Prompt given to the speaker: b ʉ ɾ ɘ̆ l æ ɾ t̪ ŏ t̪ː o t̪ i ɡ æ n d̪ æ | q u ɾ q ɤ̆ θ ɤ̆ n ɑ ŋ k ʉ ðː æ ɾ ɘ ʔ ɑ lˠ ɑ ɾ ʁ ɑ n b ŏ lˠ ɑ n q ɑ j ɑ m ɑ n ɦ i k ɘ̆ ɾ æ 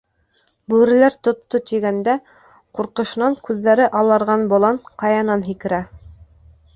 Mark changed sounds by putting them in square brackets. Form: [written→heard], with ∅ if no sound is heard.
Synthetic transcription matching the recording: b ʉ ɾ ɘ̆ l æ ɾ t̪ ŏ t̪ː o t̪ i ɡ æ n d̪ æ | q u ɾ q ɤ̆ [θ→ʃ] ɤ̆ n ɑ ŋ k ʉ ðː æ ɾ ɘ ʔ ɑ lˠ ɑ ɾ ʁ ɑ n b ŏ lˠ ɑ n q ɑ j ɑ [m→n] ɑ n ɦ i k ɘ̆ ɾ æ

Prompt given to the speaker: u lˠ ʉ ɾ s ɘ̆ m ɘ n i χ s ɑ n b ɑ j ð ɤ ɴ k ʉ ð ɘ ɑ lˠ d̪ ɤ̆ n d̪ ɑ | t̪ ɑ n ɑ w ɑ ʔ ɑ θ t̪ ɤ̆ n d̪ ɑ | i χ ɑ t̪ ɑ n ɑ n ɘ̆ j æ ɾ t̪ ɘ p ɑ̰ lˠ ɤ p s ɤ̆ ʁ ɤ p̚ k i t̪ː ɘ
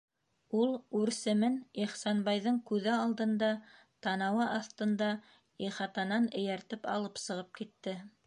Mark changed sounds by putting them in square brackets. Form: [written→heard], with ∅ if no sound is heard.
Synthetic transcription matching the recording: u lˠ ʉ ɾ s ɘ̆ m ɘ n i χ s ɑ n b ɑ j ð ɤ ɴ k ʉ ð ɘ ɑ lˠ d̪ ɤ̆ n d̪ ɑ | t̪ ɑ n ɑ w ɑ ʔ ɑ θ t̪ ɤ̆ n d̪ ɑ | i χ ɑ t̪ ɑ n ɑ n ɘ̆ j æ ɾ t̪ ɘ p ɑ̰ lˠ ɤ p s ɤ̆ ʁ ɤ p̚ k i t̪ː ɘ

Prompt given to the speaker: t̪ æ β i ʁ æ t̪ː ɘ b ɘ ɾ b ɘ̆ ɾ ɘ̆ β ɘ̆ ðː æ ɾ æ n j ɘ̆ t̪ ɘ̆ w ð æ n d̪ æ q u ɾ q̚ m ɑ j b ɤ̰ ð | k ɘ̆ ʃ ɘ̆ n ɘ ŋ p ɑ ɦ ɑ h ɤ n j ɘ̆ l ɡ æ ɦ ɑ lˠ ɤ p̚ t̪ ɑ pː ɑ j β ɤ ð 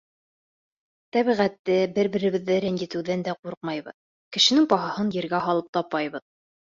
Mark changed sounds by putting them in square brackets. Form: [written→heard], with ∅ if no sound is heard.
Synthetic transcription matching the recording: t̪ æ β i ʁ æ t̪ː ɘ b ɘ ɾ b ɘ̆ ɾ ɘ̆ β ɘ̆ ðː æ ɾ æ n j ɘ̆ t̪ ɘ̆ w ð æ n d̪ æ q u ɾ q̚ m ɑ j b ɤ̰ ð | k ɘ̆ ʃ ɘ̆ n ɘ ŋ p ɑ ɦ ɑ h ɤ n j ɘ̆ [l→ɾ] ɡ æ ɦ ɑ lˠ ɤ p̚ t̪ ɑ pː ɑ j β ɤ ð

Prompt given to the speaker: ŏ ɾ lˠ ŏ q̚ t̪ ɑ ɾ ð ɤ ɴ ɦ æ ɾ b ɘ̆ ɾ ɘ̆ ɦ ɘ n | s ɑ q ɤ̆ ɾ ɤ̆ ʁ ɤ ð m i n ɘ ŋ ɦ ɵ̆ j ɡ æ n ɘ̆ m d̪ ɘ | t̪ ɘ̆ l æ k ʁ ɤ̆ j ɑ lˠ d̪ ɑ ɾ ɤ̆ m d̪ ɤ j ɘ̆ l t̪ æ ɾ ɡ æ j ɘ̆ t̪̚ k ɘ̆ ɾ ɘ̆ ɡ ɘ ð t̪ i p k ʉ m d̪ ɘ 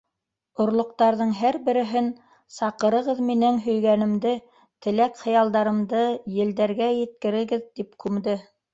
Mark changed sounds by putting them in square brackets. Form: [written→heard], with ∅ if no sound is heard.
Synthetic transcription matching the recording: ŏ ɾ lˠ ŏ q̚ t̪ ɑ ɾ ð ɤ ɴ ɦ æ ɾ b ɘ̆ ɾ ɘ̆ ɦ ɘ n | s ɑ q ɤ̆ ɾ ɤ̆ ʁ ɤ ð m i n ɘ ŋ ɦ ɵ̆ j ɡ æ n ɘ̆ m d̪ ɘ | t̪ ɘ̆ l æ k [ʁ→χ] ɤ̆ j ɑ lˠ d̪ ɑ ɾ ɤ̆ m d̪ ɤ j ɘ̆ l [t̪→d̪] æ ɾ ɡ æ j ɘ̆ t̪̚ k ɘ̆ ɾ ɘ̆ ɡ ɘ ð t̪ i p k ʉ m d̪ ɘ

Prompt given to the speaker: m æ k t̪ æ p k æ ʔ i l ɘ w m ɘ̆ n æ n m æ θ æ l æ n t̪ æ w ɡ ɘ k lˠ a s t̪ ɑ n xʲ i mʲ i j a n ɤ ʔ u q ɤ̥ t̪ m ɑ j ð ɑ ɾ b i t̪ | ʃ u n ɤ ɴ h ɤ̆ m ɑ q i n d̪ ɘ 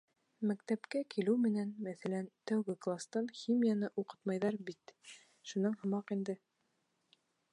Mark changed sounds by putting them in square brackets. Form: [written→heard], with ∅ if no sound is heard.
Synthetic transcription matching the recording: m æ k t̪ æ p k æ [ʔ→k] i l ɘ w m ɘ̆ n æ n m æ θ æ l æ n t̪ æ w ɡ ɘ k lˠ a s t̪ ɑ n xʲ i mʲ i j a n ɤ ʔ u q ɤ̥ t̪ m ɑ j ð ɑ ɾ b i t̪ | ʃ u n ɤ ɴ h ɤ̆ m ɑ q i n d̪ ɘ

